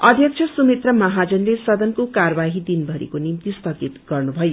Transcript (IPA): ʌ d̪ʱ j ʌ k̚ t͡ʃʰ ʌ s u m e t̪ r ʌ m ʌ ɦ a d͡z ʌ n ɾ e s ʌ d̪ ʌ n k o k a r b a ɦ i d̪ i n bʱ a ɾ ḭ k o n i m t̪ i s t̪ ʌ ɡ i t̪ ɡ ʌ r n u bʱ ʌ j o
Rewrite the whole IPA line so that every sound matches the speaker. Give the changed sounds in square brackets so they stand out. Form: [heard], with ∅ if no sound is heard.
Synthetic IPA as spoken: ʌ d̪ʱ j ʌ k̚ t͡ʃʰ ʌ s u m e t̪ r ʌ m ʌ ɦ a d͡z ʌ n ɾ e s ʌ d̪ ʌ n k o k a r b a ɦ i d̪ i n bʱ [ʌ] ɾ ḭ k o n i m t̪ i s t̪ ʌ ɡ i t̪ ɡ ʌ r n u bʱ ʌ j o

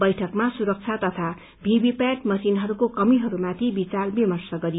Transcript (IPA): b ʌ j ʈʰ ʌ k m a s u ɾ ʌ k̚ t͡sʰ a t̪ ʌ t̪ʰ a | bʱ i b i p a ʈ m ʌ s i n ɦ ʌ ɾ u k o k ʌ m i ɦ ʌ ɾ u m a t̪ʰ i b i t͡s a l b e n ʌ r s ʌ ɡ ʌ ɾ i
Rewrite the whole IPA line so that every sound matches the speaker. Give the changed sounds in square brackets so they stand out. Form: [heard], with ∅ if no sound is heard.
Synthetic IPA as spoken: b ʌ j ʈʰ ʌ k m a s u ɾ ʌ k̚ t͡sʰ a t̪ ʌ t̪ʰ a | bʱ i b i p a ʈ m ʌ s i n ɦ ʌ ɾ u k o k ʌ m i ɦ ʌ ɾ u m a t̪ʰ i b i t͡s a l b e [m] ʌ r s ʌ ɡ ʌ ɾ i

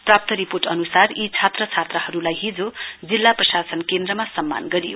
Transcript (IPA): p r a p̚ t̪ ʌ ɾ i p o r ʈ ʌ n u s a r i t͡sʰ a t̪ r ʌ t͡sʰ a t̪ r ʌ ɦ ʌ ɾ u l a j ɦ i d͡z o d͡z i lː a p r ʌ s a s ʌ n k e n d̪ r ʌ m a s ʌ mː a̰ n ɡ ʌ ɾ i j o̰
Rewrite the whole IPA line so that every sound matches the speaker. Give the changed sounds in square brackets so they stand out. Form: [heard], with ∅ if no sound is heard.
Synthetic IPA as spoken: p r a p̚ t̪ ʌ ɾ i p o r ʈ ʌ n u s a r i t͡sʰ a t̪ r ʌ t͡sʰ a t̪ r ʌ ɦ ʌ ɾ u l a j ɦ i d͡z o d͡z i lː a p r ʌ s a s ʌ n k e n d̪ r ʌ m a s ʌ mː a̰ n ɡ ʌ ɾ i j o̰

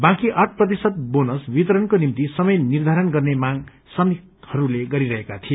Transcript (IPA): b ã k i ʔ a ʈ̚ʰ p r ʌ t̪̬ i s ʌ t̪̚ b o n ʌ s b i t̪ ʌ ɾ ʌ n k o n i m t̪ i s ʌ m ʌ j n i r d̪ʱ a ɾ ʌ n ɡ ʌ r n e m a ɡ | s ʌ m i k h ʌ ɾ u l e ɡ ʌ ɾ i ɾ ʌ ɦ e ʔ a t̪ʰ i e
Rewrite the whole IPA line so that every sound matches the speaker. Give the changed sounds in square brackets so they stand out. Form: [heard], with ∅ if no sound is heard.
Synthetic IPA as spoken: b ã k i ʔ a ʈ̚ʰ p r ʌ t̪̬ i s ʌ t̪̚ b o n ʌ s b i t̪ ʌ ɾ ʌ n k o n i m t̪ i s ʌ m ʌ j n i r d̪ʱ a ɾ ʌ n ɡ ʌ r n e m a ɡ | s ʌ m i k h ʌ ɾ u l e ɡ ʌ ɾ i ɾ ʌ ɦ e [k] a t̪ʰ i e

